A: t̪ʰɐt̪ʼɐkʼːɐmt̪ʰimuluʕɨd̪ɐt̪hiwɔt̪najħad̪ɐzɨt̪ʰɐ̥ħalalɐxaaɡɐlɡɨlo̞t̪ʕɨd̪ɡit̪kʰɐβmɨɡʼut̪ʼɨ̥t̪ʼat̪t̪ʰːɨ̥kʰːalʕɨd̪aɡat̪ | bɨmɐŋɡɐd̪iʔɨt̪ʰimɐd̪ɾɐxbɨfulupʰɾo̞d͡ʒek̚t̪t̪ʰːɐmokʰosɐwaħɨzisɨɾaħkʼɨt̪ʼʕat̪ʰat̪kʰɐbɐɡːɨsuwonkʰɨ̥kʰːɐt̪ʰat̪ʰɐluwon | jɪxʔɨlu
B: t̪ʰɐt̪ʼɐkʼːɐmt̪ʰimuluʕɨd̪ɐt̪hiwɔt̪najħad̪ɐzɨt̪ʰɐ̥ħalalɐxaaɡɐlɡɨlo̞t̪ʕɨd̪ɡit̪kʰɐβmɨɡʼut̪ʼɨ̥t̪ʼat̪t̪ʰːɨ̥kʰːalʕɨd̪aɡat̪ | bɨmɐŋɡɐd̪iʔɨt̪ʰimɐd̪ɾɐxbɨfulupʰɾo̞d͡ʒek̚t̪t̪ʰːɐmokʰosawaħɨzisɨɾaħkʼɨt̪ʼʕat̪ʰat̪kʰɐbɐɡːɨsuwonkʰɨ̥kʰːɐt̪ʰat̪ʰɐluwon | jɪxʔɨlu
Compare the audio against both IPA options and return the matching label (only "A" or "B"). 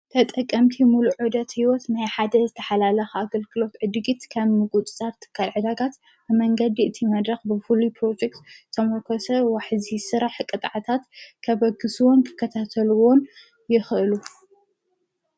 A